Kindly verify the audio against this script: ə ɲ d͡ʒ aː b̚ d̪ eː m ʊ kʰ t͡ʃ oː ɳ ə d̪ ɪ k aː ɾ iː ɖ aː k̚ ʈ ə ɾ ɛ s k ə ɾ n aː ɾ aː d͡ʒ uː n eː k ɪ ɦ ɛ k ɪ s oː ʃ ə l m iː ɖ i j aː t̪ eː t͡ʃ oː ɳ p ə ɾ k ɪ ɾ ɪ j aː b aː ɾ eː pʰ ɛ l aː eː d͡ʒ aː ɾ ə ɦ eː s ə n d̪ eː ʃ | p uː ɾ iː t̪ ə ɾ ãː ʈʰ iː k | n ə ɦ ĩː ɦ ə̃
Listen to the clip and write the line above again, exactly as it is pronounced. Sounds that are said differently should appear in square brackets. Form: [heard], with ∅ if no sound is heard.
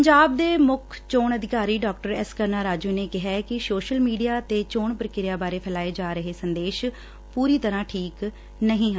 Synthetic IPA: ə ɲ d͡ʒ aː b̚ d̪ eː m ʊ kʰ t͡ʃ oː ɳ ə d̪ ɪ k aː ɾ iː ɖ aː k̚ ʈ ə ɾ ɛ s k ə ɾ n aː ɾ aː d͡ʒ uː n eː k ɪ ɦ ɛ k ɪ s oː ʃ ə l m iː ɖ i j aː t̪ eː t͡ʃ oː ɳ p ə ɾ k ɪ ɾ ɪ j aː b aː ɾ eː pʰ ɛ l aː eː d͡ʒ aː ɾ ə ɦ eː s ə n d̪ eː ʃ | p uː ɾ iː t̪ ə ɾ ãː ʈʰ iː k | n ə ɦ ĩː ɦ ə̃

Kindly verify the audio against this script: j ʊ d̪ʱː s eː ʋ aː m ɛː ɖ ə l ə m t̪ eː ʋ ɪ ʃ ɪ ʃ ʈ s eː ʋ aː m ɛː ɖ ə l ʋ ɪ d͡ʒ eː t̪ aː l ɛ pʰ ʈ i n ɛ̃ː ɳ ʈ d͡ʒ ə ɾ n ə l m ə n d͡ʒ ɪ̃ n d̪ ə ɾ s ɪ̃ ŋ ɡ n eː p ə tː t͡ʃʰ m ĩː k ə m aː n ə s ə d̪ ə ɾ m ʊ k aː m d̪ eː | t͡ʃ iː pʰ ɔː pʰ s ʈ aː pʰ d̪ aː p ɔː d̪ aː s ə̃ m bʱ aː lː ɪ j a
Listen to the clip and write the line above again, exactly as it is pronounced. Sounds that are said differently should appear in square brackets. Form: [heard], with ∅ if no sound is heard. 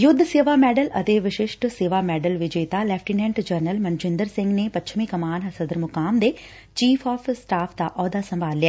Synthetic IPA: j ʊ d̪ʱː s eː ʋ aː m ɛː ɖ ə l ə [∅] t̪ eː ʋ ɪ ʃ ɪ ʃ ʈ s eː ʋ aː m ɛː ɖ ə l ʋ ɪ d͡ʒ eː t̪ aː l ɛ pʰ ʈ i n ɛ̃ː ɳ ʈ d͡ʒ ə ɾ n ə l m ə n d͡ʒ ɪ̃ n d̪ ə ɾ s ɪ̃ ŋ ɡ n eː p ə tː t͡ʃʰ m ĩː k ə m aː n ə s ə d̪ ə ɾ m ʊ k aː m d̪ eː | t͡ʃ iː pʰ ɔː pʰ s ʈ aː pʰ d̪ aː [ʔ] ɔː d̪ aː s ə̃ m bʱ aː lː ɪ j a

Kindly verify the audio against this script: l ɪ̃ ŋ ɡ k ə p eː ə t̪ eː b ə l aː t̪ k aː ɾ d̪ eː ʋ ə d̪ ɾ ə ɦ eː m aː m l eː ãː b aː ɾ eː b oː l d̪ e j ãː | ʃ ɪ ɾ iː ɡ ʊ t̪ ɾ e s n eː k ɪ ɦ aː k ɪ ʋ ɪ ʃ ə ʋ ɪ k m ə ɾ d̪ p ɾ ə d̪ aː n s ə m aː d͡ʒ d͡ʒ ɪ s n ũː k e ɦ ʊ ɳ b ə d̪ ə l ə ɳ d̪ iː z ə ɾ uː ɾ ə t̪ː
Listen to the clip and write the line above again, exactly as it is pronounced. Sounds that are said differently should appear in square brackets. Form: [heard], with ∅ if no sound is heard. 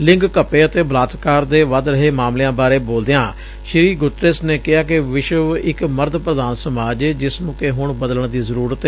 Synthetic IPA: l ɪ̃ ŋ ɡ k ə p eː ə t̪ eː b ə l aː t̪ k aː ɾ d̪ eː ʋ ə d̪ ɾ ə ɦ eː m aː m l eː ãː b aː ɾ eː b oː l d̪ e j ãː | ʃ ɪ ɾ iː ɡ ʊ t̪ ɾ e s n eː k ɪ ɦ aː k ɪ ʋ ɪ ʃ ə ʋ ɪ k m ə ɾ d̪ p ɾ ə d̪ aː n s ə m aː d͡ʒ d͡ʒ ɪ s n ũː k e ɦ ʊ ɳ b ə d̪ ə l ə ɳ d̪ iː z ə ɾ uː ɾ ə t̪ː

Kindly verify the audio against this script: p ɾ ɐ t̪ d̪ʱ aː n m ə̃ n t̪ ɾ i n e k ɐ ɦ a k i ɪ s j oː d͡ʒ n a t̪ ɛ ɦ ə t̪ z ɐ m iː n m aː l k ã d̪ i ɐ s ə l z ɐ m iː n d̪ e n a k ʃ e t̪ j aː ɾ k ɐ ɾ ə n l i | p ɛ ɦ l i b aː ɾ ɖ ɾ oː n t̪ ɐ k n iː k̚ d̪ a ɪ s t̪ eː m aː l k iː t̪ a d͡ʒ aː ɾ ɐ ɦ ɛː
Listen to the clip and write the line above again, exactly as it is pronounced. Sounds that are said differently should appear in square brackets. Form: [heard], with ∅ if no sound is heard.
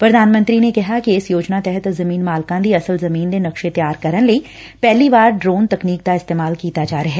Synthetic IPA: p ɾ ɐ [∅] d̪ʱ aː n m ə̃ n t̪ ɾ i n e k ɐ ɦ a k i ɪ s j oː d͡ʒ n a t̪ ɛ ɦ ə t̪ z ɐ m iː n m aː l k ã d̪ i ɐ s ə l z ɐ m iː n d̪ e n [ɐ] k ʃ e t̪ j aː ɾ k ɐ ɾ ə n l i | p ɛ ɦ l i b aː ɾ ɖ ɾ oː n t̪ ɐ k n iː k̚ d̪ a ɪ s t̪ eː m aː l k iː t̪ a d͡ʒ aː ɾ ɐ ɦ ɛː

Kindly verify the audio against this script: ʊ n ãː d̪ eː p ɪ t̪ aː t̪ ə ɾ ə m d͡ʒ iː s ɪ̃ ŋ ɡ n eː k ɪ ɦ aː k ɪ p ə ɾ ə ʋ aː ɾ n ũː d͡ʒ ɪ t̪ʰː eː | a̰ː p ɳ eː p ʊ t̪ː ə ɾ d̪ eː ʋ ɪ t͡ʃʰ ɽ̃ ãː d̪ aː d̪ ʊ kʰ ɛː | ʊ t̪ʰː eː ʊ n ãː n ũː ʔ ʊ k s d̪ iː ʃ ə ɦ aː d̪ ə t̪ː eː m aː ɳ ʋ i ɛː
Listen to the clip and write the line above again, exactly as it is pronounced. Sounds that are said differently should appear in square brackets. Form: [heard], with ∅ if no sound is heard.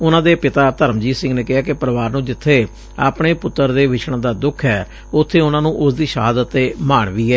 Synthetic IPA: ʊ n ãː d̪ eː p ɪ t̪ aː t̪ ə ɾ ə m d͡ʒ iː s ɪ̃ ŋ ɡ n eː k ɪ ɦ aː k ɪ p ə ɾ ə ʋ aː ɾ n ũː d͡ʒ ɪ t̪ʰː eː | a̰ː p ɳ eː p ʊ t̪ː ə ɾ d̪ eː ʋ ɪ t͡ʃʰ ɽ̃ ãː d̪ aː d̪ ʊ kʰ ɛː | ʊ t̪ʰː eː ʊ n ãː n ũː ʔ ʊ [∅] s d̪ iː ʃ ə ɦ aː d̪ ə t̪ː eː m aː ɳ ʋ [iː] ɛː

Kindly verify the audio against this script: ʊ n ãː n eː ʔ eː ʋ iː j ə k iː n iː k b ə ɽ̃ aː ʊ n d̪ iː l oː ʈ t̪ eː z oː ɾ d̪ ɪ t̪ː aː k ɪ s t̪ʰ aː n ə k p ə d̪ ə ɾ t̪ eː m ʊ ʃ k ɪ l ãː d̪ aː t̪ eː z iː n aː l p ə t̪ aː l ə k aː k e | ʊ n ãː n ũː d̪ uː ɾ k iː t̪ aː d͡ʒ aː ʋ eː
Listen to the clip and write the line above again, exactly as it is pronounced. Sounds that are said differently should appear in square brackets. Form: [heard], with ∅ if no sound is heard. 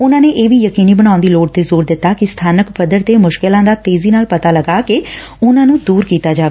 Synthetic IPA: ʊ n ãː n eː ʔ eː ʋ iː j ə k iː n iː [∅] b ə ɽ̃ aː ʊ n d̪ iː l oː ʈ t̪ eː z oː ɾ d̪ ɪ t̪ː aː k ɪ s t̪ʰ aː n ə k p ə d̪ ə ɾ t̪ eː m ʊ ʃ k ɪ l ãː d̪ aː t̪ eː z iː n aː l p ə t̪ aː l ə [ɡ] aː k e | ʊ n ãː n ũː d̪ uː ɾ k iː t̪ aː d͡ʒ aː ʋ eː

